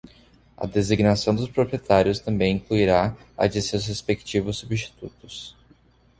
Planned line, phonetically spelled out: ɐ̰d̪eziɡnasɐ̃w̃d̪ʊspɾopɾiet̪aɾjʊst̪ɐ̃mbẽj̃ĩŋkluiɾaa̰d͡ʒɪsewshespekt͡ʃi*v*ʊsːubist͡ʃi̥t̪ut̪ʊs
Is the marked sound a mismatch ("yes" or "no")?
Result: no